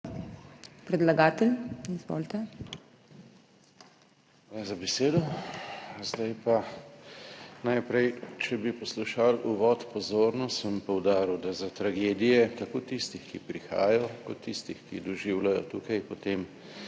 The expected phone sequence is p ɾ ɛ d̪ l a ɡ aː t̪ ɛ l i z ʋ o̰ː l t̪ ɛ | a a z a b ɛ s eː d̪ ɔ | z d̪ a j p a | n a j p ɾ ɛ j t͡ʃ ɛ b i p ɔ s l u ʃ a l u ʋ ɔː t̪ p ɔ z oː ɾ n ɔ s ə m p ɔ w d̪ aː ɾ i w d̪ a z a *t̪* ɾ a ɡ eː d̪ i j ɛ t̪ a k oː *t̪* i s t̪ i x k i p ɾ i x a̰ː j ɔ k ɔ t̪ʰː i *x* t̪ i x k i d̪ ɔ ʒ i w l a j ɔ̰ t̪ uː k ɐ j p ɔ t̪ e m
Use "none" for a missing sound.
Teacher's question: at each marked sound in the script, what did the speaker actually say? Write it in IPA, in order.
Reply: t̪, t̪, s

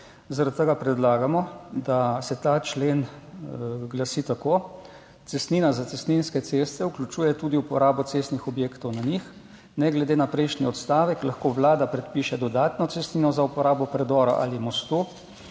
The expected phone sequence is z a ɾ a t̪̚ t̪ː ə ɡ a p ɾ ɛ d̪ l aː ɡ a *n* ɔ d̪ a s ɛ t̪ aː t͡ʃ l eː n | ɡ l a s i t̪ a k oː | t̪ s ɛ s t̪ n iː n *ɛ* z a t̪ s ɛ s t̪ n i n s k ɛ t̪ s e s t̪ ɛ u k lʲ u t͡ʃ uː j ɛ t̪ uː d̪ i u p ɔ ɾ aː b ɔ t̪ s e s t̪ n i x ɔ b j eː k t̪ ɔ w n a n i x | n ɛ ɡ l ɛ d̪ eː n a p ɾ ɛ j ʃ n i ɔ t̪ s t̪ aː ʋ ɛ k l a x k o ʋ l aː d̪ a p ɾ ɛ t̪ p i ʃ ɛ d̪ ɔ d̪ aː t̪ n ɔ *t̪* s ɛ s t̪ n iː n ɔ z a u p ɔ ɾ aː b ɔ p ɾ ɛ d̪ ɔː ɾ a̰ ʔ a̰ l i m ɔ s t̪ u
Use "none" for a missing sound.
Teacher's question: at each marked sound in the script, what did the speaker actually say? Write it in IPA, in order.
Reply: m, a, t̪

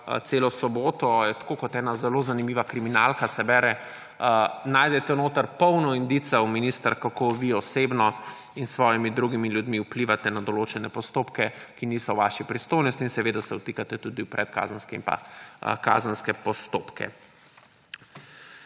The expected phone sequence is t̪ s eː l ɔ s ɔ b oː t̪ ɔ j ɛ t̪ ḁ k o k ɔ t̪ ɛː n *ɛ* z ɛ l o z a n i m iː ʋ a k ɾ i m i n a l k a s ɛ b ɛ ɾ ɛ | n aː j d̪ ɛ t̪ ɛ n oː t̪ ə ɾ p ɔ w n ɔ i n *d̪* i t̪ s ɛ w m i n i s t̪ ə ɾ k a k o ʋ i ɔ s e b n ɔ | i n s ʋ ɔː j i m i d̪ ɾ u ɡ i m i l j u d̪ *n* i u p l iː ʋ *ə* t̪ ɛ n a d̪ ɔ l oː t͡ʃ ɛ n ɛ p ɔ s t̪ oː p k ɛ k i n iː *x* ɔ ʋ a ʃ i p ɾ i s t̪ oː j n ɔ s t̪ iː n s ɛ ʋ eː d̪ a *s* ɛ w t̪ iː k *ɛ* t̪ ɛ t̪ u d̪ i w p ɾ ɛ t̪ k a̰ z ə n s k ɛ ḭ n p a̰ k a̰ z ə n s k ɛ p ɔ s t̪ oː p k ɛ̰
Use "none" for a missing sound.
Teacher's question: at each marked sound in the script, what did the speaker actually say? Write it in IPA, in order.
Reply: a, d̪, m, a, s, s, a

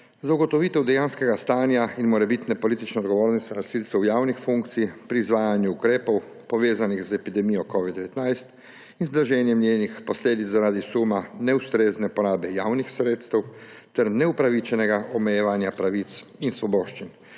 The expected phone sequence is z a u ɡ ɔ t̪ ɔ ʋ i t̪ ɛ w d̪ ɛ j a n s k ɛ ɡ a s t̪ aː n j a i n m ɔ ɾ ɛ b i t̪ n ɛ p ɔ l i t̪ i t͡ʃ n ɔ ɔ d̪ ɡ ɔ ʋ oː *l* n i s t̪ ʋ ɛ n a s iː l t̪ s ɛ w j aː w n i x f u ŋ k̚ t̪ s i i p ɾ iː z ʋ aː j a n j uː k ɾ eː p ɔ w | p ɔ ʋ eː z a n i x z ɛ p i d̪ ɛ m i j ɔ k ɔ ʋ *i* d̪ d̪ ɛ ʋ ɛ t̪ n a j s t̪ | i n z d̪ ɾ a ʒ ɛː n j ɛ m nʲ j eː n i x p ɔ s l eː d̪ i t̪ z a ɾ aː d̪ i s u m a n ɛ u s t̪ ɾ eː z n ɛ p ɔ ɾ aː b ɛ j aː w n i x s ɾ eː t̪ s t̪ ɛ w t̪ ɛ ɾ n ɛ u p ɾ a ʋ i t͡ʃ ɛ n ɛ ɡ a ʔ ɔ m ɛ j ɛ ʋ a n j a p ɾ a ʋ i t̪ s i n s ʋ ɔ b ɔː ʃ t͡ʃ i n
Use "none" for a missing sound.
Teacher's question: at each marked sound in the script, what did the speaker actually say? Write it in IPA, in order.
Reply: ɾ, i

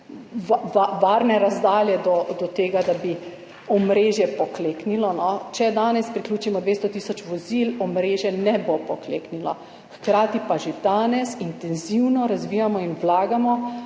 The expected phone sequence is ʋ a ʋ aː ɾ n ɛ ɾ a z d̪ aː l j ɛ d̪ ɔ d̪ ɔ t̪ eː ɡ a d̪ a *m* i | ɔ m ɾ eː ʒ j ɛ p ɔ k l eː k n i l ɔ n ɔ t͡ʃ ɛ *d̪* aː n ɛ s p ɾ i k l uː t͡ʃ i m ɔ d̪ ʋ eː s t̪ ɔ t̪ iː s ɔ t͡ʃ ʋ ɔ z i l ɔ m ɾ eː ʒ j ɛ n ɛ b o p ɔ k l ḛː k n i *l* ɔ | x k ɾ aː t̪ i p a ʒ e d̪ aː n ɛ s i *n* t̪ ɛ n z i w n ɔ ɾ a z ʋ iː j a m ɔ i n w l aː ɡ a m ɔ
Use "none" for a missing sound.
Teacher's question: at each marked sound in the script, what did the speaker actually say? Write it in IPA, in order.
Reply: b, d̪, l, n

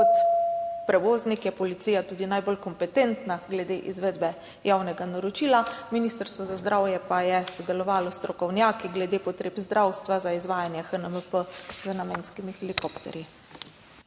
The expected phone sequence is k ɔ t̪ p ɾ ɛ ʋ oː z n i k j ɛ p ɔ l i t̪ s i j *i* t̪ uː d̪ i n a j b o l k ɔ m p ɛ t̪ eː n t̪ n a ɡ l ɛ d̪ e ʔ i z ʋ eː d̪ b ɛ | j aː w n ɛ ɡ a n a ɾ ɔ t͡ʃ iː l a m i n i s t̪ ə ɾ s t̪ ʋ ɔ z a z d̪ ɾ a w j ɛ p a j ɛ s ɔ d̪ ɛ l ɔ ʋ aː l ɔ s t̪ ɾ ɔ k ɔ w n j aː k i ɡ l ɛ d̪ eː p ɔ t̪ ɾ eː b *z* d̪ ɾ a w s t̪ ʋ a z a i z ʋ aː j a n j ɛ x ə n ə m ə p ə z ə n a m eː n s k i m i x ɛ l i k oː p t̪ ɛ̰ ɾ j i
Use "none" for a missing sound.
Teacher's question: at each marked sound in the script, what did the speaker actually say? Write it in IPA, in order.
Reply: a, z

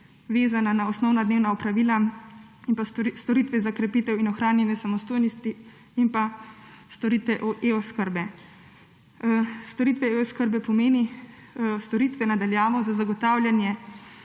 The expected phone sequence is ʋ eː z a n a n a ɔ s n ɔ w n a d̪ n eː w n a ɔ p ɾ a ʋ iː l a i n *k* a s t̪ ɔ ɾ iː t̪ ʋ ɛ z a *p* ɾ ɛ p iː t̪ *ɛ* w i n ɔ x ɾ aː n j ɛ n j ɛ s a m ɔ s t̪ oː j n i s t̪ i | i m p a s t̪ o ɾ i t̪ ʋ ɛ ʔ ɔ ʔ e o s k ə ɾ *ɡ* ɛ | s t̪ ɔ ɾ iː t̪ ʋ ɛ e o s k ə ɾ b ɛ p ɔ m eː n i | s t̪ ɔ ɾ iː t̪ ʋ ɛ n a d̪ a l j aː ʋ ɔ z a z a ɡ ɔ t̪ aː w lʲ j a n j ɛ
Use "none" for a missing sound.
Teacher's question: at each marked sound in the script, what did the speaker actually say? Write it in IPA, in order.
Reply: p, k, ɛ, b

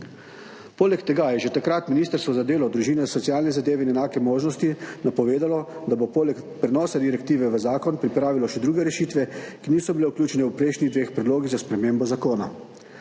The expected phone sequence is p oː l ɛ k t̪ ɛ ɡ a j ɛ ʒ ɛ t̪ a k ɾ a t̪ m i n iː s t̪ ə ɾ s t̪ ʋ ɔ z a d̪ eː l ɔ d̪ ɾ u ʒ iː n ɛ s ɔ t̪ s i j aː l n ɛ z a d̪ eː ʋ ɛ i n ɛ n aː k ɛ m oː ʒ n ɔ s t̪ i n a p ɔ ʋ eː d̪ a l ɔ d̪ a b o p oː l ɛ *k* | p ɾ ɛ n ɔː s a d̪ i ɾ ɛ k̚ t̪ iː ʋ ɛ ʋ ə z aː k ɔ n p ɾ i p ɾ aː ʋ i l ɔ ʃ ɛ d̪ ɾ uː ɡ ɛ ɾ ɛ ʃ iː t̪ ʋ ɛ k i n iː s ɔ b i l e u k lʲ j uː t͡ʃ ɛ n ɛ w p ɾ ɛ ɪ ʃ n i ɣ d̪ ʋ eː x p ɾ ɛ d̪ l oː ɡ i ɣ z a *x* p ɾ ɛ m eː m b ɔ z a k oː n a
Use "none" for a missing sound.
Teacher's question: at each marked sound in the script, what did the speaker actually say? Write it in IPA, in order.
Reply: k, s

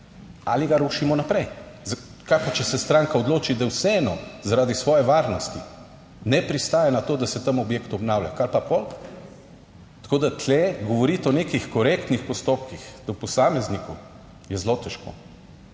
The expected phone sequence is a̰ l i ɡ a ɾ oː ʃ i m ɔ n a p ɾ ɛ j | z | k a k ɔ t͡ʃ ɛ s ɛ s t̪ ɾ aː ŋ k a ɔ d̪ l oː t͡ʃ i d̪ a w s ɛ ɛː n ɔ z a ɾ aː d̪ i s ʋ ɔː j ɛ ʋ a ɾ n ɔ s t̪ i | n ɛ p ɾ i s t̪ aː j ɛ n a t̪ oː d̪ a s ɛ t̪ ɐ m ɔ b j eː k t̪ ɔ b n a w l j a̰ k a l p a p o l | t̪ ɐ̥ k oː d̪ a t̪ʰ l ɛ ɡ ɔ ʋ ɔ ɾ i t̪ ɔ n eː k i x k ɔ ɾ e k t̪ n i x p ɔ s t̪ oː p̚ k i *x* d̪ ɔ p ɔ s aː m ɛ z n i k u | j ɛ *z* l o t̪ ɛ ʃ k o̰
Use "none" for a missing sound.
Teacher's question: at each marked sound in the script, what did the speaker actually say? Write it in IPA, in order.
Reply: x, z

